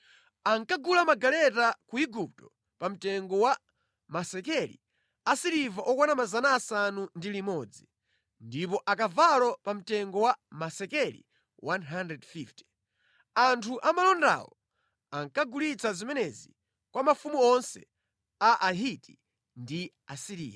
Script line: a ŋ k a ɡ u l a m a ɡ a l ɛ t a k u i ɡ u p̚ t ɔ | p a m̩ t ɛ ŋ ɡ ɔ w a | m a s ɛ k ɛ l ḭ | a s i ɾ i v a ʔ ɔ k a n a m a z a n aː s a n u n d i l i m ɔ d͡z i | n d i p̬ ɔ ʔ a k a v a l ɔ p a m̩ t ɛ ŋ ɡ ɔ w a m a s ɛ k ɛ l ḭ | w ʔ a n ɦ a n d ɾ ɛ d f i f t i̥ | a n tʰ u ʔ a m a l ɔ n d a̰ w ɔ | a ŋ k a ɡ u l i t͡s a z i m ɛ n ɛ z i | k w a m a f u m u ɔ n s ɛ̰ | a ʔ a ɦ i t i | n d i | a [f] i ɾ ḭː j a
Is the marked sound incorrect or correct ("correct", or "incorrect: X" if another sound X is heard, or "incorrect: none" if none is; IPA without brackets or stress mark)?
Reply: incorrect: s